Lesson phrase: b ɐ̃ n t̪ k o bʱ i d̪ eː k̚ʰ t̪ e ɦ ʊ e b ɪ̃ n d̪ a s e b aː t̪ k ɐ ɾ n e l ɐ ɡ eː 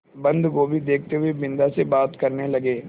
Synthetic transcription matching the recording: b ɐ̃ n d̪ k o bʱ i d̪ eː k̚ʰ t̪ e ɦ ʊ e b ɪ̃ n d̪ a s e b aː t̪ k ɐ ɾ n e l ɐ ɡ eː